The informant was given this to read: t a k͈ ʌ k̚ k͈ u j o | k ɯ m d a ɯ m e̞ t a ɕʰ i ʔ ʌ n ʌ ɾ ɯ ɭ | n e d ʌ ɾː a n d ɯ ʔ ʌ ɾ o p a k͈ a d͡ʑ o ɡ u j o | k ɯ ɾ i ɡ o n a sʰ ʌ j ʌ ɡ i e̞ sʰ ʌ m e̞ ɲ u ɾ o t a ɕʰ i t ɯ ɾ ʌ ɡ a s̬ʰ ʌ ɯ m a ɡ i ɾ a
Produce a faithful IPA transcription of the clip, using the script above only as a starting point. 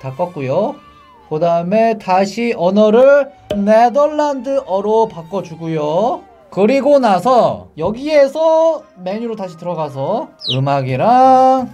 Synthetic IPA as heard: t a k͈ ʌ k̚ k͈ u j o | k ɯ d a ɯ m e̞ t a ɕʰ i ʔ ʌ n ʌ ɾ ɯ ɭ | n e d ʌ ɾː a n d ɯ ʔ ʌ ɾ o p a k͈ ʌ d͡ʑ u ɡ u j o | k ɯ ɾ i ɡ o n a sʰ ʌ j ʌ ɡ i e̞ sʰ ʌ m e̞ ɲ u ɾ o t a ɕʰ i t ɯ ɾ ʌ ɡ a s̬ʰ ʌ ɯ m a ɡ i ɾ a